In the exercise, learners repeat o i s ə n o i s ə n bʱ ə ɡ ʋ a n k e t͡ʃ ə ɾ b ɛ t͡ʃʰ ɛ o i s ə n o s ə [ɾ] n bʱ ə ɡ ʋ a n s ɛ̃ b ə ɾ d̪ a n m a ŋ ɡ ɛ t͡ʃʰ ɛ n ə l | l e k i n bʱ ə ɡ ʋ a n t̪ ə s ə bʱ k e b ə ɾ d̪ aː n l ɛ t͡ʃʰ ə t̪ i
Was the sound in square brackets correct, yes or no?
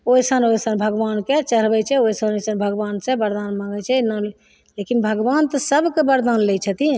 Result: no